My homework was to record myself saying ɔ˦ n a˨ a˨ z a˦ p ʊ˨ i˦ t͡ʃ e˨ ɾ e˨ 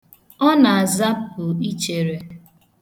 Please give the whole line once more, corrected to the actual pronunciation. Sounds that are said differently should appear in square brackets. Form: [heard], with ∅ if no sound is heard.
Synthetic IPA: ɔ˦ n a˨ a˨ z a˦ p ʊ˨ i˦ t͡ʃ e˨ ɾ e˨